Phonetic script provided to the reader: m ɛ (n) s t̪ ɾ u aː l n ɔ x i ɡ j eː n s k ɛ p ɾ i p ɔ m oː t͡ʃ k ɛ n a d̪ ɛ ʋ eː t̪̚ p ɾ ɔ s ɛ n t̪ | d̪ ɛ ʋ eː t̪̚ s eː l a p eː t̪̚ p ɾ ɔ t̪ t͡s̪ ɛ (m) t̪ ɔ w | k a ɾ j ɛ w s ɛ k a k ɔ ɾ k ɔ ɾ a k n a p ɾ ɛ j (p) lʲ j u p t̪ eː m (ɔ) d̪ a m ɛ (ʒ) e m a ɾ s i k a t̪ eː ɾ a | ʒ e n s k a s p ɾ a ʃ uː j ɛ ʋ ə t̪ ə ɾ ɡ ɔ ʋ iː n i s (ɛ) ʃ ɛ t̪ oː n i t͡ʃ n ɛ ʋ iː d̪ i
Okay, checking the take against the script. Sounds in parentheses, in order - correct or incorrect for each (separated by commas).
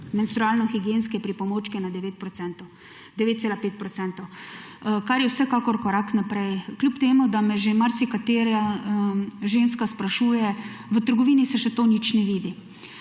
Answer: correct, incorrect, incorrect, incorrect, correct, correct